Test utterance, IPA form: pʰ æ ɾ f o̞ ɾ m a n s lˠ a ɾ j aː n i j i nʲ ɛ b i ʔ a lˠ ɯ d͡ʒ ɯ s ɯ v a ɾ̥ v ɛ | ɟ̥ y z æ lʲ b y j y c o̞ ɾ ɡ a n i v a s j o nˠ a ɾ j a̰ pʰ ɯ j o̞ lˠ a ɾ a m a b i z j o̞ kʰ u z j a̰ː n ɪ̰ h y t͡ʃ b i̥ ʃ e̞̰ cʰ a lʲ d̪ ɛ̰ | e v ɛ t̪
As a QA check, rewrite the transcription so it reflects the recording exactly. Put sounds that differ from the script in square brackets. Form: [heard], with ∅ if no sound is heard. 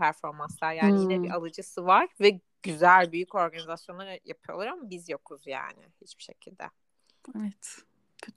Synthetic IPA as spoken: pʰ æ ɾ f o̞ ɾ m a n s lˠ a ɾ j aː n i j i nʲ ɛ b i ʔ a lˠ ɯ d͡ʒ ɯ s ɯ v a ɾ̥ v ɛ | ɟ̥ y z æ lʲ b y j y c o̞ ɾ ɡ a n i [z] a s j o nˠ a ɾ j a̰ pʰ ɯ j o̞ lˠ a ɾ a m a b i z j o̞ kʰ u z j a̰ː n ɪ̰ h [i] t͡ʃ b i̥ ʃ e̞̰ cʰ [i] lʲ d̪ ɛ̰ | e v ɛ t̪